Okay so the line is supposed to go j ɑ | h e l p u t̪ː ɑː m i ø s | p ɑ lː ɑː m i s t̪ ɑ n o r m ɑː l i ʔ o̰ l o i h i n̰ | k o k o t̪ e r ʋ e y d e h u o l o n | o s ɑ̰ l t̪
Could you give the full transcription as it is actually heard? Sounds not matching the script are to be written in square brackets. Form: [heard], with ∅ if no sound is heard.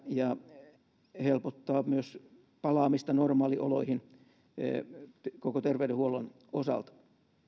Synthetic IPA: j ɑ | h e l p [o] t̪ː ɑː m [y] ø s | p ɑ [l] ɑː m i s t̪ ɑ n o r m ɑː l i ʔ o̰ l o i h i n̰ | k o k o t̪ e r ʋ e y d e h u o l o n | o s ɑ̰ l t̪